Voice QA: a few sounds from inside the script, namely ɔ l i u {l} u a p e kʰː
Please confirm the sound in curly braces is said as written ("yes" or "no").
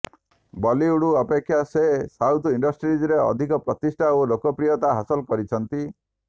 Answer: no